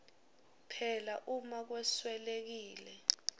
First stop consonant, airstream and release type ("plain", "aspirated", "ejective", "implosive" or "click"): aspirated